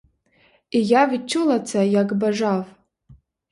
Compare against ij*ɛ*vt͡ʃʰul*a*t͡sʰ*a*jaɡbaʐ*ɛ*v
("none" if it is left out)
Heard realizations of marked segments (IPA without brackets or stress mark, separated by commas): a, a, a, a